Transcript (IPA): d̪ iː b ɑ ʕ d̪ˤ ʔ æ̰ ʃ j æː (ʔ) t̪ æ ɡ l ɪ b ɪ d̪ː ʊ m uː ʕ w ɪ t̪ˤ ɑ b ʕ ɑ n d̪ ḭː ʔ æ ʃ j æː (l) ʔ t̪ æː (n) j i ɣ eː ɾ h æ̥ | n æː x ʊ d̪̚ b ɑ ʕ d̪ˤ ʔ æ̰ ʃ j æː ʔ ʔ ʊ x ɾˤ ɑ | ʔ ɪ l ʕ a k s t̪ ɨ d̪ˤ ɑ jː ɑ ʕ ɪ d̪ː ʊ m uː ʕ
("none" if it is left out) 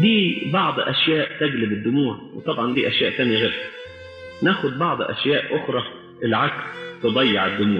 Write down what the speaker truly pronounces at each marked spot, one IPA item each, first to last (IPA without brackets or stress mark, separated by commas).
ʔ, none, n